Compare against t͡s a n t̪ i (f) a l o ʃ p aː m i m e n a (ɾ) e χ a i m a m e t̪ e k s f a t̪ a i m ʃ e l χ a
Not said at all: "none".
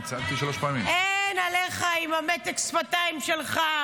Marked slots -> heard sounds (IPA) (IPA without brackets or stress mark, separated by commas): ʃ, l